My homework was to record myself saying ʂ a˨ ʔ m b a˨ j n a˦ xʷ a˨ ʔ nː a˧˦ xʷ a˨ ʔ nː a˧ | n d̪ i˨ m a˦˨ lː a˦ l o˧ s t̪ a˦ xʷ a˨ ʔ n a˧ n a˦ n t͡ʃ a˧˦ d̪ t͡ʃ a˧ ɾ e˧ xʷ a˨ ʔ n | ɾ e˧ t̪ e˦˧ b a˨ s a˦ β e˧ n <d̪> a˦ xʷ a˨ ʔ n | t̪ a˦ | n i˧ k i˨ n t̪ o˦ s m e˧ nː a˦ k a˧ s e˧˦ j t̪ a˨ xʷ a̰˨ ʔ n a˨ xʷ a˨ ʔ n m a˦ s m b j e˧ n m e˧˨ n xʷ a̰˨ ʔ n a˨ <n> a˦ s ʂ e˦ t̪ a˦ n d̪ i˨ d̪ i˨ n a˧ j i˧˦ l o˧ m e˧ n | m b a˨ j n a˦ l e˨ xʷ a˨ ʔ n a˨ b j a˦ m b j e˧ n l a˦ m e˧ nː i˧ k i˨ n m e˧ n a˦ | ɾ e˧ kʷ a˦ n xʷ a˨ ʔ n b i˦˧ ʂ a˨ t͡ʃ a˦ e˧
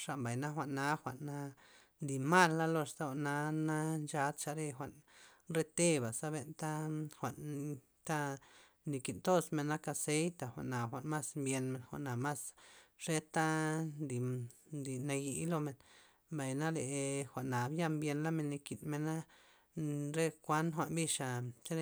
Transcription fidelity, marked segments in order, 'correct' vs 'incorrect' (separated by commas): incorrect, incorrect